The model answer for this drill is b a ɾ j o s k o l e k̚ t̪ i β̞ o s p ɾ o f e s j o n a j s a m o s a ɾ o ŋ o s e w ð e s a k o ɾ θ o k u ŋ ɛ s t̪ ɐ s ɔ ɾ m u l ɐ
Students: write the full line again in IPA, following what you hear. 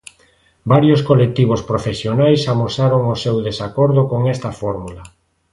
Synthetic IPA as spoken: b a ɾ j o s k o l e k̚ t̪ i β̞ o s p ɾ o f e s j o n a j s a m o s a ɾ o ŋ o s e w ð e s a k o ɾ ð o k o ŋ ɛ s t̪ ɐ f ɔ ɾ m u l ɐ